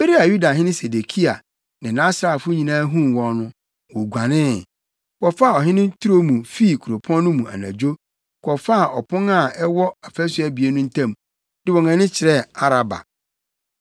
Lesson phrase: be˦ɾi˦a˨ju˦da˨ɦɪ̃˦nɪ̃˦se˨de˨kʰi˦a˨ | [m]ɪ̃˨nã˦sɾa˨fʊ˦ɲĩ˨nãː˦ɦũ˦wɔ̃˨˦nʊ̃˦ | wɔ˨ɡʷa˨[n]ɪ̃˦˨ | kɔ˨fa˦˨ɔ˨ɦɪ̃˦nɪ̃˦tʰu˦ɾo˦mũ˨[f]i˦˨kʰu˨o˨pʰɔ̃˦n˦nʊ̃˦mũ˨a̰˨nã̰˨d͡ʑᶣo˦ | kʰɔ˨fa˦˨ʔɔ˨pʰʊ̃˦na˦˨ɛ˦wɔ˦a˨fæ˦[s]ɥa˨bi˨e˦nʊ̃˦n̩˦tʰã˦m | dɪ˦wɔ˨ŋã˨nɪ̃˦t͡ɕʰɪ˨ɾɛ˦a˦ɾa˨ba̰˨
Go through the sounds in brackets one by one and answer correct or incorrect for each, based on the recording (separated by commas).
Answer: incorrect, correct, correct, correct